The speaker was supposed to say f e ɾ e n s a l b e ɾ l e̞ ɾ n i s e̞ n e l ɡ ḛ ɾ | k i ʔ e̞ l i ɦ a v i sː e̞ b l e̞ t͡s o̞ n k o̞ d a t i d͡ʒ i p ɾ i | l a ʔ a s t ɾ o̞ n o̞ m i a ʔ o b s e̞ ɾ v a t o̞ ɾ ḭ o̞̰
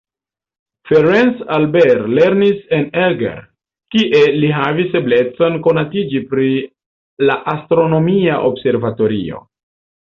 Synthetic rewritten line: f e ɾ e n s a l b e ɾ l e̞ ɾ n i s e̞ n e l ɡ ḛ ɾ | k i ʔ e̞ l i ɦ a v i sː e̞ b l e̞ t͡s o̞ n k o̞ n a t i d͡ʒ i p ɾ i | l a ʔ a s t ɾ o̞ n o̞ m i a ʔ o b s e̞ ɾ v a t o̞ ɾ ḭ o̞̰